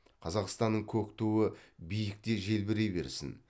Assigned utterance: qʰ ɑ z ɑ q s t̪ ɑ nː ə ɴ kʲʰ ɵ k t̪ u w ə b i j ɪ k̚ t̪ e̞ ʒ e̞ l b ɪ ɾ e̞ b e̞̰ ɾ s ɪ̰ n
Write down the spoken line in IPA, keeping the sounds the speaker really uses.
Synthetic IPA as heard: qʰ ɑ z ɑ q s t̪ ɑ nː ə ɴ kʲʰ ɵ k t̪ u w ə b i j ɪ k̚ t̪ e̞ ʒ e̞ l b ɪ ɾ e̞ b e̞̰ ɾ s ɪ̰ n